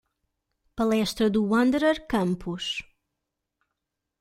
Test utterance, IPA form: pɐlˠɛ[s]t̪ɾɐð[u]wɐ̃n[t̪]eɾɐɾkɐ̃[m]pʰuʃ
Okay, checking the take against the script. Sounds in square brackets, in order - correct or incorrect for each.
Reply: incorrect, correct, incorrect, correct

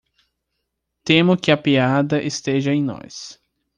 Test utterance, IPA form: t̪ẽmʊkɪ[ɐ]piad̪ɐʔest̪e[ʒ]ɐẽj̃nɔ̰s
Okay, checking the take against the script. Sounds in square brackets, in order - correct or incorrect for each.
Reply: correct, correct

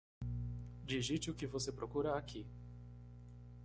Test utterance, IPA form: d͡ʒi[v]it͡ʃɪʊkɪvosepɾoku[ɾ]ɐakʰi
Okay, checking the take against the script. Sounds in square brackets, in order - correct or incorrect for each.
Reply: incorrect, correct

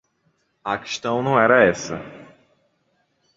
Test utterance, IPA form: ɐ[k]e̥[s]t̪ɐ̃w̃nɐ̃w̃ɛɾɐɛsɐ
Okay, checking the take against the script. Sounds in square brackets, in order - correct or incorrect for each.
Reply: correct, incorrect

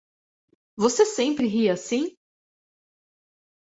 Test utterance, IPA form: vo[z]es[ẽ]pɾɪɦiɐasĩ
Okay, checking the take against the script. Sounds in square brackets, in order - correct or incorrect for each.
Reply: incorrect, correct

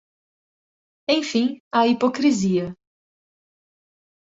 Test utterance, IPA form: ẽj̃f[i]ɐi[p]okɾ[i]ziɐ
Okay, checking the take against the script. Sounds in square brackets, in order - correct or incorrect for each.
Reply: incorrect, correct, correct

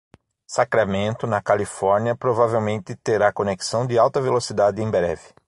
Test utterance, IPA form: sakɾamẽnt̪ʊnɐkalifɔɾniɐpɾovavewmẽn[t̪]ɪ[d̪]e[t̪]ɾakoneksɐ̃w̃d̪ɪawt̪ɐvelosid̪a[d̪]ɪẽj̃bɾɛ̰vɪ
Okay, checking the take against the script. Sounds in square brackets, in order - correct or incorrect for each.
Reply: correct, incorrect, incorrect, correct

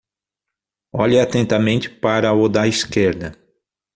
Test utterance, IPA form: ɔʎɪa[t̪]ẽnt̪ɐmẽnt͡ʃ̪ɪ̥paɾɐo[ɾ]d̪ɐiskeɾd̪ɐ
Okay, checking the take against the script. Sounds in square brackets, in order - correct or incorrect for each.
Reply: correct, incorrect

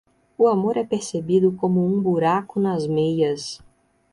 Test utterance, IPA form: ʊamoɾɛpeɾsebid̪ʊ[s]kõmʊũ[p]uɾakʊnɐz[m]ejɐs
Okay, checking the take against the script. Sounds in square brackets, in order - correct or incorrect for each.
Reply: incorrect, incorrect, correct

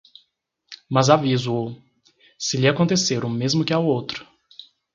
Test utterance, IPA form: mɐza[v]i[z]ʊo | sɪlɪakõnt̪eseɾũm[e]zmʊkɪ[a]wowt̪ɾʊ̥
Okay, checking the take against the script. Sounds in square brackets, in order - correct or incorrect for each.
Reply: correct, correct, correct, correct

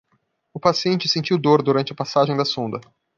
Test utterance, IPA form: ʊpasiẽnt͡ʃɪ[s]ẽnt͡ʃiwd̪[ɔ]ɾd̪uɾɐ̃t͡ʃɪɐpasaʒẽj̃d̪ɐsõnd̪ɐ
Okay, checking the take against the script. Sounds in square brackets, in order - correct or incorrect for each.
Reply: correct, incorrect

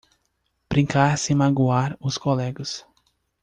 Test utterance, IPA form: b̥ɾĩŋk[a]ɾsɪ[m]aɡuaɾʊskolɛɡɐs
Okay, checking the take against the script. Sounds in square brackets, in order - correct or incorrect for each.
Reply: correct, correct

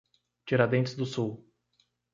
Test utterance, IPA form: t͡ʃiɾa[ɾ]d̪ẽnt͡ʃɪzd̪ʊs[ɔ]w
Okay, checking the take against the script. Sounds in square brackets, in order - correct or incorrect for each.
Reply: incorrect, incorrect

